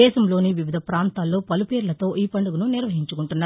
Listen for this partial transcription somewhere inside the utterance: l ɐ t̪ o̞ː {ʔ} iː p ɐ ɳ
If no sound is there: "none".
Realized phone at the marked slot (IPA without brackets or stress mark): ʔ